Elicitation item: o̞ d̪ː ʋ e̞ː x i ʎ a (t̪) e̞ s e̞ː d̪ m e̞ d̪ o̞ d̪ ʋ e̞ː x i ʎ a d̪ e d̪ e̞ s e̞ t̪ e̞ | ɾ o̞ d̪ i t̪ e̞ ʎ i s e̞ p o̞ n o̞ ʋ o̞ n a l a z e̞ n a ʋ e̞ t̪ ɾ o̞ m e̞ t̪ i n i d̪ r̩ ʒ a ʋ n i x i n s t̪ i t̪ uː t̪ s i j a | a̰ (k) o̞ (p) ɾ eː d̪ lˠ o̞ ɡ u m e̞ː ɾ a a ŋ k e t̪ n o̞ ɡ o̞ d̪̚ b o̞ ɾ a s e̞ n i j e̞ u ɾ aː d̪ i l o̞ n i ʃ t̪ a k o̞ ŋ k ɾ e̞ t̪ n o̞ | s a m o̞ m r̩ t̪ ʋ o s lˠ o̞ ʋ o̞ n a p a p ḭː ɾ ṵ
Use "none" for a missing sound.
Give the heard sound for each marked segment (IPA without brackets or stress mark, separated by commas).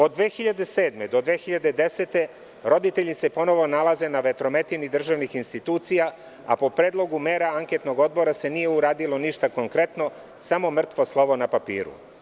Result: d̪, p, p